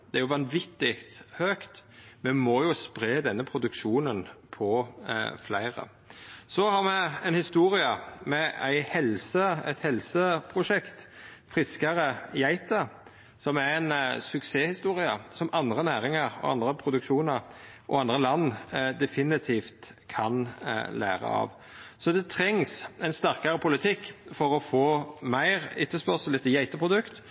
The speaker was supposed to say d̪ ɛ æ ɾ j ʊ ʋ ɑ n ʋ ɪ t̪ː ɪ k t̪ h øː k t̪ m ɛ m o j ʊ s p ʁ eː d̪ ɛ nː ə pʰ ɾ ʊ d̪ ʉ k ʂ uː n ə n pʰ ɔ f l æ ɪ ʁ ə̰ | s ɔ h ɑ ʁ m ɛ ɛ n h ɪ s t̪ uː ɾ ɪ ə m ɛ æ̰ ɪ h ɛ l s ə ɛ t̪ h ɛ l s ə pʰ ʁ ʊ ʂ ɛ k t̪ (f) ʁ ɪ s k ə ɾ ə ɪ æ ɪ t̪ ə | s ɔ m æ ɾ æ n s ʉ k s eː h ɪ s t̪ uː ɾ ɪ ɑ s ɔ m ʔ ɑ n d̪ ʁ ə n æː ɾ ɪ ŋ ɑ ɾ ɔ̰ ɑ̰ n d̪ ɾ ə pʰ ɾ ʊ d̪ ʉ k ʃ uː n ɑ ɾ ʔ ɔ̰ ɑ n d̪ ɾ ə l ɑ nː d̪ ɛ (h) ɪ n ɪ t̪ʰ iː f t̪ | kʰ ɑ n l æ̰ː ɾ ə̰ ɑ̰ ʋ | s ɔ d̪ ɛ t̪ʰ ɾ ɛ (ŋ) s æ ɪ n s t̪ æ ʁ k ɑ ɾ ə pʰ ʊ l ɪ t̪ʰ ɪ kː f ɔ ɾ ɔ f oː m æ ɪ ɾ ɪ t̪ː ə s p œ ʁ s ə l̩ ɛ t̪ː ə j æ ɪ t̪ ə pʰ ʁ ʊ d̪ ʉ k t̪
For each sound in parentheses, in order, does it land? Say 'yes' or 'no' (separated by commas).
yes, no, yes